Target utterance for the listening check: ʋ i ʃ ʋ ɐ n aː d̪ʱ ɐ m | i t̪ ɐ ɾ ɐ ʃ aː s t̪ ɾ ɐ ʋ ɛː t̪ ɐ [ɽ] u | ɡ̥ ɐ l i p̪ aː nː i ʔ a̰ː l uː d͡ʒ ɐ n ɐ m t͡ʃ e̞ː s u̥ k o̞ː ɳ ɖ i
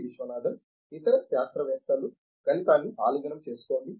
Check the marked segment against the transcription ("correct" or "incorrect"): incorrect